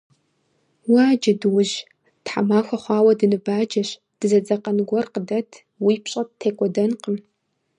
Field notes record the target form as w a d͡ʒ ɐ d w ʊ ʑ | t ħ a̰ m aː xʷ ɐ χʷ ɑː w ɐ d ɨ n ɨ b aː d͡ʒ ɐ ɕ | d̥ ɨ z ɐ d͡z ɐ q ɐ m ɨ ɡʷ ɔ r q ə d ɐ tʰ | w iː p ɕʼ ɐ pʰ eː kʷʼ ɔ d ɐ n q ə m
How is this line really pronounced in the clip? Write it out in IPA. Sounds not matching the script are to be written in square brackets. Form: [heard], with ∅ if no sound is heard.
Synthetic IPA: w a d͡ʒ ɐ d w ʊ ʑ | t ħ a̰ m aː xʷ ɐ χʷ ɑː w ɐ d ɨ n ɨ b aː d͡ʒ ɐ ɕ | d̥ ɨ z ɐ d͡z ɐ q ɐ [n] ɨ ɡʷ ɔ r q ə d ɐ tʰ | w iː p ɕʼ ɐ [tʰ] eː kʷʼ ɔ d ɐ n q ə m